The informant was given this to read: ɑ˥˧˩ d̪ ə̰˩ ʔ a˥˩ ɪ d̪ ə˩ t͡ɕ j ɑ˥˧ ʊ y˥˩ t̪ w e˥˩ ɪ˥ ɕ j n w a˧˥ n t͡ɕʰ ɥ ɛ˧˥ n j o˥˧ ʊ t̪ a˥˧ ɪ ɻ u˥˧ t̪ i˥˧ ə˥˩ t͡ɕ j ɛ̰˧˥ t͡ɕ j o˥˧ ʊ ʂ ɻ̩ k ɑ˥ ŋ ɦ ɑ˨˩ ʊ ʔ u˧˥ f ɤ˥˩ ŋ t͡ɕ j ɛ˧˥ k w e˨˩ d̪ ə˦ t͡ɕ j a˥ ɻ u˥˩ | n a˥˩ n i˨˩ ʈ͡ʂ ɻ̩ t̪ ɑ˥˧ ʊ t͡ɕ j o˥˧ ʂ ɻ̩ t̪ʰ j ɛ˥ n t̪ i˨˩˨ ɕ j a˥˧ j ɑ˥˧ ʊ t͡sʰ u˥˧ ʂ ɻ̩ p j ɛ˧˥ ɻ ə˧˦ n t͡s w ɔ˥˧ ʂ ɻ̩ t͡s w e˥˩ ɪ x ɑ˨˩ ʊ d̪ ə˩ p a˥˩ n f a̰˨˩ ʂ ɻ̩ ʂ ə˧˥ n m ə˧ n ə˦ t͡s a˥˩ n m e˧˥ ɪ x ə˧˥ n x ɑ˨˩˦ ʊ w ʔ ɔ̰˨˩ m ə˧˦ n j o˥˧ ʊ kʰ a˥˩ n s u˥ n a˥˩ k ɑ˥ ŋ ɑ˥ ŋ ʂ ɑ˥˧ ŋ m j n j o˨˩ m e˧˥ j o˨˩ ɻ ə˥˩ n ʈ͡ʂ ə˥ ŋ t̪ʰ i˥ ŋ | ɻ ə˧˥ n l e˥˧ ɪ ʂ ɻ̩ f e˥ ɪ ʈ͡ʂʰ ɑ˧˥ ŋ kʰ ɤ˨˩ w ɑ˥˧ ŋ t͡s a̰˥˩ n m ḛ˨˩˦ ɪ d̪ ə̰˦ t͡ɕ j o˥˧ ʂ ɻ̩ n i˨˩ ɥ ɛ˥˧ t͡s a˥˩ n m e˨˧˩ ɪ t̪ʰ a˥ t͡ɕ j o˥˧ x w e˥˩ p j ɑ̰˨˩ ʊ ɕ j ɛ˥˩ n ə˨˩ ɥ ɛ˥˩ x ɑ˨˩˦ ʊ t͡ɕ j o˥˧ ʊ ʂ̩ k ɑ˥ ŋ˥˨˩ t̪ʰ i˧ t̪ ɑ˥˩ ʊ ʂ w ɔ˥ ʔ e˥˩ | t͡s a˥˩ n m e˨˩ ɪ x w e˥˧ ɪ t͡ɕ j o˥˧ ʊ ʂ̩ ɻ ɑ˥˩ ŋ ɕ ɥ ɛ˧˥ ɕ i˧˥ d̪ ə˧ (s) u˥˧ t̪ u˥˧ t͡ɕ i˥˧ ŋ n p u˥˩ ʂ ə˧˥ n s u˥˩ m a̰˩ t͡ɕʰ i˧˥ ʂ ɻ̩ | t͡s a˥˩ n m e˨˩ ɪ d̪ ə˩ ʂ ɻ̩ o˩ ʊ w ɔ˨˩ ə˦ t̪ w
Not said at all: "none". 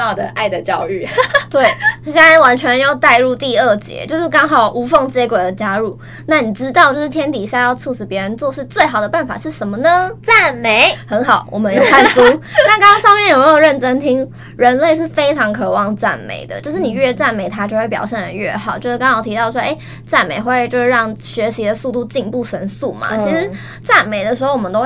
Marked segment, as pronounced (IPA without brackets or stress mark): s